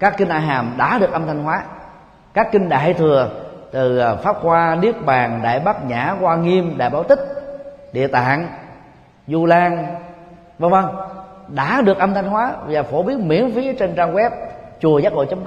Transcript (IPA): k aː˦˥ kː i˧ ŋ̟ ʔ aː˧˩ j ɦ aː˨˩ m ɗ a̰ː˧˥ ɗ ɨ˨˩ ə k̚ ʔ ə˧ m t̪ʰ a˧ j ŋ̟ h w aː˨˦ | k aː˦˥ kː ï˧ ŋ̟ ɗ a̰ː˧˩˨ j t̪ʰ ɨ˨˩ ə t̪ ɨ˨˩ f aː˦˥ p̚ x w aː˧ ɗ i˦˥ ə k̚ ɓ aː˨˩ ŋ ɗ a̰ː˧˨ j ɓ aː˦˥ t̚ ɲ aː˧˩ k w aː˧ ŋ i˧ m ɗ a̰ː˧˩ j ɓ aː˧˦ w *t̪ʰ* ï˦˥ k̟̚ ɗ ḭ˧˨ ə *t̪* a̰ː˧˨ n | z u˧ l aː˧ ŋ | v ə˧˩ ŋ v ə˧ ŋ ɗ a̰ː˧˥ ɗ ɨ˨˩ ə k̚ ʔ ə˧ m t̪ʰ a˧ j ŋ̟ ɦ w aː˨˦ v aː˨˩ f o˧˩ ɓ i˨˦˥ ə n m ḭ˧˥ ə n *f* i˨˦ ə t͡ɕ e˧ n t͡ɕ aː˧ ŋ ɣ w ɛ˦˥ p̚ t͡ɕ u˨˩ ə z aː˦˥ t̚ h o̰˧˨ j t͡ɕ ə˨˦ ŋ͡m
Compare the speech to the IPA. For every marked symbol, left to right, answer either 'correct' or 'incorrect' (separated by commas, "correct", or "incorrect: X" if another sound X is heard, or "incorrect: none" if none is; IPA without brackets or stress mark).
incorrect: t̪, correct, correct